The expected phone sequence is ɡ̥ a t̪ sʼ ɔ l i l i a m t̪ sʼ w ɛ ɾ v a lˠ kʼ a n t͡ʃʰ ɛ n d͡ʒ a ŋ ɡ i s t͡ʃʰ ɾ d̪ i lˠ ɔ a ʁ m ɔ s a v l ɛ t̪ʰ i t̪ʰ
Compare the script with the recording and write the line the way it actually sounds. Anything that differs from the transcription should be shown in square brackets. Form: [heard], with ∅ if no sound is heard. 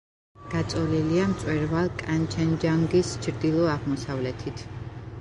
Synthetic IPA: ɡ̥ a t̪ sʼ ɔ l i l i a m t̪ sʼ w ɛ ɾ v a lˠ kʼ a n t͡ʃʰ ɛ n d͡ʒ a ŋ ɡ i s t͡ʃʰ ɾ d̪ i lˠ ɔ a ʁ m ɔ s a v l ɛ t̪ʰ i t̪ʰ